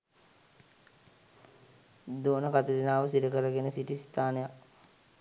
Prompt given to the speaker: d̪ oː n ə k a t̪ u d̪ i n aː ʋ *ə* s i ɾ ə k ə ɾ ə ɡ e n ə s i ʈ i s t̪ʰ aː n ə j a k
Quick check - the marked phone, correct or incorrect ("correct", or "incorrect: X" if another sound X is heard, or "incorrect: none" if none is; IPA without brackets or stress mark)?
correct